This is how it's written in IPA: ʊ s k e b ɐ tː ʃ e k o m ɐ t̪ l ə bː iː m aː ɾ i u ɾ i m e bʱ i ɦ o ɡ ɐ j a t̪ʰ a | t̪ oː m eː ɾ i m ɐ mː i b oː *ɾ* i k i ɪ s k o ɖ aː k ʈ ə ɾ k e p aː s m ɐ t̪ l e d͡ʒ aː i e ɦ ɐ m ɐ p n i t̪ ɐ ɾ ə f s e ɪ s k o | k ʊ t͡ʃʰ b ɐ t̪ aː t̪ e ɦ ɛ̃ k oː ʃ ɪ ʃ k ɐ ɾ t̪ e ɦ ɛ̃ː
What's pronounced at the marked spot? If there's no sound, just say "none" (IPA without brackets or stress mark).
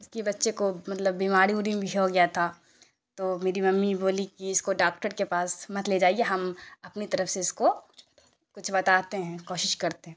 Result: l